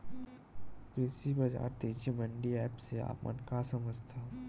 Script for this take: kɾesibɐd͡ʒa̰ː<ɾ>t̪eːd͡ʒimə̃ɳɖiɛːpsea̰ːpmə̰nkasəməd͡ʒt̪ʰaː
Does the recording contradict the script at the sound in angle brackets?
no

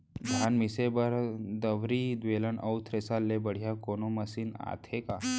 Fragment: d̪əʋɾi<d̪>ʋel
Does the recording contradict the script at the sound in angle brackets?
no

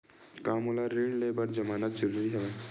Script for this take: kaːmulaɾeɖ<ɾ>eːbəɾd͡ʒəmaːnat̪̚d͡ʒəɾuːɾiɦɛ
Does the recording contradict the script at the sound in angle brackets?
yes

